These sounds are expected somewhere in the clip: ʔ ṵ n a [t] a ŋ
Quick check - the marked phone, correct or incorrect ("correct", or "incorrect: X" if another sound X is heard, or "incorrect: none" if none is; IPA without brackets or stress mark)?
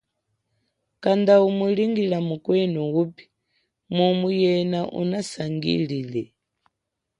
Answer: incorrect: s